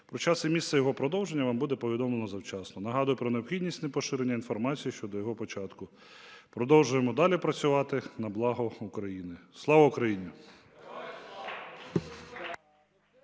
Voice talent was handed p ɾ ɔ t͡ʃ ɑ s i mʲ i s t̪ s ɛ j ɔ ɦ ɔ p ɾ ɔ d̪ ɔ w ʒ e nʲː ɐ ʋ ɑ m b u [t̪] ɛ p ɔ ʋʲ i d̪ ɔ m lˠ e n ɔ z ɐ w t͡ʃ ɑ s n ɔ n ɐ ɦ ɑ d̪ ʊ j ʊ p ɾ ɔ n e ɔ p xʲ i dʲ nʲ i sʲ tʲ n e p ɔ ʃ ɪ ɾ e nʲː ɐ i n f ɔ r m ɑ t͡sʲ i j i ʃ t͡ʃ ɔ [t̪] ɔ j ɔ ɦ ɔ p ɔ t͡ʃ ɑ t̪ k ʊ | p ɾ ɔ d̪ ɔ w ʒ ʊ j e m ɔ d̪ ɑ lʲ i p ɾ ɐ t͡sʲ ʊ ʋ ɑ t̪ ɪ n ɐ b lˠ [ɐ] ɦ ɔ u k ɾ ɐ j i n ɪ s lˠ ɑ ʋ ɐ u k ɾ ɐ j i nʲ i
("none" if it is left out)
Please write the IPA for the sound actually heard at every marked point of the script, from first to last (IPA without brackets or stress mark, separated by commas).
d̪, d̪, ɑ